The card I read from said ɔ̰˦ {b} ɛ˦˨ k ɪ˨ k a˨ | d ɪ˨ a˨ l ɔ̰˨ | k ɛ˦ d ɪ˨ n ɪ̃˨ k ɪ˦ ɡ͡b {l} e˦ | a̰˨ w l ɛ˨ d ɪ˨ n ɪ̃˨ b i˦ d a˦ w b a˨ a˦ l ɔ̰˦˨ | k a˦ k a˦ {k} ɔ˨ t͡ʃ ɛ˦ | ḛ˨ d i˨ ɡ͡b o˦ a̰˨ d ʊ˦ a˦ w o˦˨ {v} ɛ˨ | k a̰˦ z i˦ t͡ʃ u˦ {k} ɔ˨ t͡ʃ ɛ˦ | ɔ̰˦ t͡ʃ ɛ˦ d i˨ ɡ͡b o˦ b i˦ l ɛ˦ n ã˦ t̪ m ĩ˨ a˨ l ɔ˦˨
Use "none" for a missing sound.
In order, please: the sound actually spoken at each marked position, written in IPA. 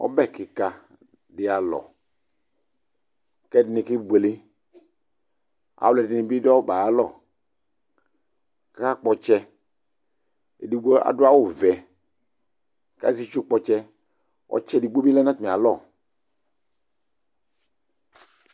b, l, k͡p, v, k͡p

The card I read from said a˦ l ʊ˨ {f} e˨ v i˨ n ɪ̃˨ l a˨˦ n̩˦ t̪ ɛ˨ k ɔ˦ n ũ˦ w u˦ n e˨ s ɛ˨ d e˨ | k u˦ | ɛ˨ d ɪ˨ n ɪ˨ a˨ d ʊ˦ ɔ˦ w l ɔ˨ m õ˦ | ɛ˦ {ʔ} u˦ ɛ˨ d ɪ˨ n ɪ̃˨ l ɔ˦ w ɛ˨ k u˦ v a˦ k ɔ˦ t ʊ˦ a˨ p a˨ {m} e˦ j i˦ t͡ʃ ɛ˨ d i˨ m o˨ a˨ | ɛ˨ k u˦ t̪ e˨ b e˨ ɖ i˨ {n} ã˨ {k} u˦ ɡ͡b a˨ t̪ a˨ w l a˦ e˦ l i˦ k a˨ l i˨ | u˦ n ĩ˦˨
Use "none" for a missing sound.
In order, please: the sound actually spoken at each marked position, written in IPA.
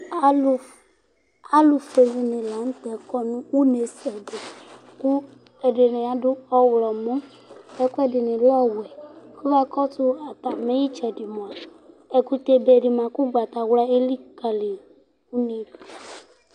f, k, m, m, k

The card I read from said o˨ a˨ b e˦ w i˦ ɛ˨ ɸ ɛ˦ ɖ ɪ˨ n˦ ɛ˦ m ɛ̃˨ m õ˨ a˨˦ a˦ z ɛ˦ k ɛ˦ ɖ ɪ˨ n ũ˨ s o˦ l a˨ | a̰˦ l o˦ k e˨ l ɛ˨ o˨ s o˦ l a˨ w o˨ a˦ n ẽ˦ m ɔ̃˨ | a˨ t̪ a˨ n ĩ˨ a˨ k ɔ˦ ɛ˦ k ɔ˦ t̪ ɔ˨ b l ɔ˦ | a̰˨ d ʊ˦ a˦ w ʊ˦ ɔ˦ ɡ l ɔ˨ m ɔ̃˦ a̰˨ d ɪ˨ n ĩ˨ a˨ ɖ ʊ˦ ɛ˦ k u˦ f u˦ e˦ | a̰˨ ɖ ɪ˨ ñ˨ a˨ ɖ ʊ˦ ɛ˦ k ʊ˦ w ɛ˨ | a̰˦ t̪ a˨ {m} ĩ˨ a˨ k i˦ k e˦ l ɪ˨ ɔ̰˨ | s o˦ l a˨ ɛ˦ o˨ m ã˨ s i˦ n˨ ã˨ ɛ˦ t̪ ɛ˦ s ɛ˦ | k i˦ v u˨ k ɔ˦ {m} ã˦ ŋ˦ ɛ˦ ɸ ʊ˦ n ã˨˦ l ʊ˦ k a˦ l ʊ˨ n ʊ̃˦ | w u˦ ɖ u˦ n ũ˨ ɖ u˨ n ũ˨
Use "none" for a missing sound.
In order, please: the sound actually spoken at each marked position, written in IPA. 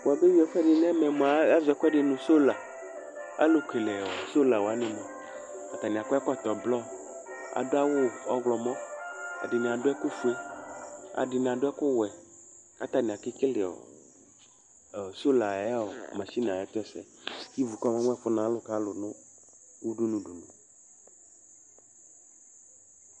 n, m

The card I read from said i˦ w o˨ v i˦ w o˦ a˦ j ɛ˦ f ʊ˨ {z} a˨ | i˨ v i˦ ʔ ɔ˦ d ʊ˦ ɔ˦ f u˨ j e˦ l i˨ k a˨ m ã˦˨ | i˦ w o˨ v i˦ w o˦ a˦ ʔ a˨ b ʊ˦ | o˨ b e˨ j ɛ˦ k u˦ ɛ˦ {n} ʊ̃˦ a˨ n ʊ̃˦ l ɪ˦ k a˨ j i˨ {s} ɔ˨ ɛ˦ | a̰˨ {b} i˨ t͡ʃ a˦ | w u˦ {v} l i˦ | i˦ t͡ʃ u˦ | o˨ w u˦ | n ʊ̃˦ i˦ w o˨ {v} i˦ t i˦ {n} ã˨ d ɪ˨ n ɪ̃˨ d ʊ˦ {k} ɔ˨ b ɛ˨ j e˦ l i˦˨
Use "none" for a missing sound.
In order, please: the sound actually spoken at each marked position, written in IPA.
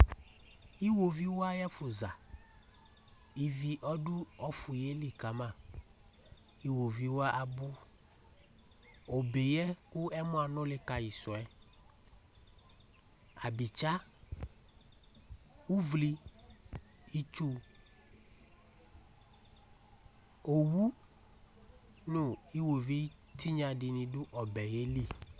z, m, s, b, v, v, ɲ, ʔ

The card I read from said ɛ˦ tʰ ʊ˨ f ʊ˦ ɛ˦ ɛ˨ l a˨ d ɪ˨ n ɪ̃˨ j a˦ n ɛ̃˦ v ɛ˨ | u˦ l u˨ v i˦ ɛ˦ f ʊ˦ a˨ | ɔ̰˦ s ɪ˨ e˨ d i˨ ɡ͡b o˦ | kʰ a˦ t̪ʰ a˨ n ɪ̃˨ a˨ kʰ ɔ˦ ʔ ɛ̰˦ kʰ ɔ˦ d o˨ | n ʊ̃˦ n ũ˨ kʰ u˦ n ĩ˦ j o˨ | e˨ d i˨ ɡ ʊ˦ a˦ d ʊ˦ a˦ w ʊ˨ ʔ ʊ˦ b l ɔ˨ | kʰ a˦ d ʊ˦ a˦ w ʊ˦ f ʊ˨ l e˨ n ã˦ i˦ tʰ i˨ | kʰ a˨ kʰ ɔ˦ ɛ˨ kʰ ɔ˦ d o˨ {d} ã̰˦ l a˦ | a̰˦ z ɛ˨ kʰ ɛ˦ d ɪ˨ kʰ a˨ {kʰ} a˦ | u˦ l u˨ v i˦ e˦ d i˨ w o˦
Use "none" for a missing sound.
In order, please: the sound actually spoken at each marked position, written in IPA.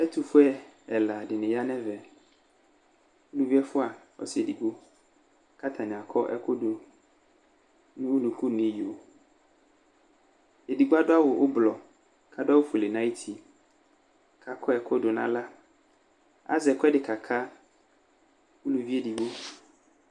n, kʰ

